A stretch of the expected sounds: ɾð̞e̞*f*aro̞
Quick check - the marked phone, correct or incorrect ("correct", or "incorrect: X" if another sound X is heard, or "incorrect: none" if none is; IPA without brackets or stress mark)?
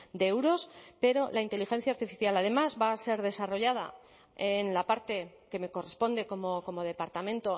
incorrect: s